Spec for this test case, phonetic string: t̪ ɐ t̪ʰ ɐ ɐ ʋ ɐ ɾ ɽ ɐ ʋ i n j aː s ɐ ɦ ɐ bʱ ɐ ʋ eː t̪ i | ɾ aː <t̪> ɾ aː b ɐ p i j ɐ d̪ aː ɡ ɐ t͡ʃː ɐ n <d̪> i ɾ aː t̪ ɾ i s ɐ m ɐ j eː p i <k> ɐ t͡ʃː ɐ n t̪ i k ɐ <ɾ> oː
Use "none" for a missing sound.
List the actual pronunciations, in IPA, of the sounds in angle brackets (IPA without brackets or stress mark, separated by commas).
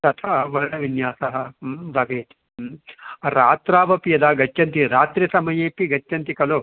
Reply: t̪, t̪, ɡ, l